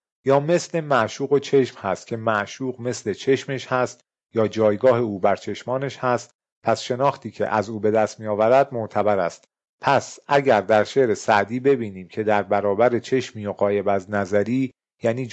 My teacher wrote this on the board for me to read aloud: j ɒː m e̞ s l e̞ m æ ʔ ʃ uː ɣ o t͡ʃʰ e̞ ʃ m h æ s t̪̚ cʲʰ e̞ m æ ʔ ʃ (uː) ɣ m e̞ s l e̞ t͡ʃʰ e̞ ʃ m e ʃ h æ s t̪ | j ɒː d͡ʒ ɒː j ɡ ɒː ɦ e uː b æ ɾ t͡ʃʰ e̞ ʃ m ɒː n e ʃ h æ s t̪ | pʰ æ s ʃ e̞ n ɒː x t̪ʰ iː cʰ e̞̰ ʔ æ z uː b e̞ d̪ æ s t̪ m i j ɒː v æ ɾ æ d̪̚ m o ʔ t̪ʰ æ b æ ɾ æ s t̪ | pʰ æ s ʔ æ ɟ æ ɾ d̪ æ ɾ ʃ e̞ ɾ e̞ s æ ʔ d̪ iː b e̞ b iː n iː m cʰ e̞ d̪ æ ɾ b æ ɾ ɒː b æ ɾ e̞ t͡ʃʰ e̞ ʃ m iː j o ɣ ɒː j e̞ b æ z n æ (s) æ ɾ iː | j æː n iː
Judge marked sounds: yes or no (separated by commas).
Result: yes, no